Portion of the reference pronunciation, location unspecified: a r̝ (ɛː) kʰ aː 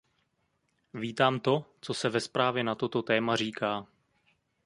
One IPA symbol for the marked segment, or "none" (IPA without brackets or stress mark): iː